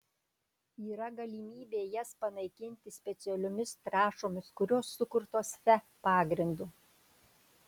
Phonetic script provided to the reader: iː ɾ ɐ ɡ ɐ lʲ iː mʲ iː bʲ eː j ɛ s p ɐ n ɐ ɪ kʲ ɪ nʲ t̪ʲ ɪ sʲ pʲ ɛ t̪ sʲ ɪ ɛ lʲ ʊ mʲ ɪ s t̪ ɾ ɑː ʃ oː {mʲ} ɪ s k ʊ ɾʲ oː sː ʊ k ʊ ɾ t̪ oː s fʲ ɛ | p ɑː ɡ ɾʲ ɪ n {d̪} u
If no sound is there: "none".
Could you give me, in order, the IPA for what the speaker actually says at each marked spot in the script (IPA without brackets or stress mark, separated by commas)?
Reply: mʲ, d̪